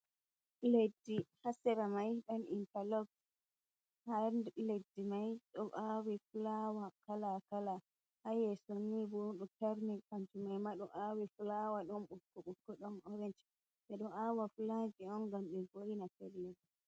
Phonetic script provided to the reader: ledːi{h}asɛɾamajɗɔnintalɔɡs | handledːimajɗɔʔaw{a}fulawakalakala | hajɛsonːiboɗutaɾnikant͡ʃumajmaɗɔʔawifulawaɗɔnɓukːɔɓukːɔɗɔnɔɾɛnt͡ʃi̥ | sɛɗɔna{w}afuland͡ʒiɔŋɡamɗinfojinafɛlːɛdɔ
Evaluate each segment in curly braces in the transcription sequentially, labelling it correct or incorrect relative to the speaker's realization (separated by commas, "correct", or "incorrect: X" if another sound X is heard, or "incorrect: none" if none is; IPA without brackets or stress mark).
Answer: correct, incorrect: i, correct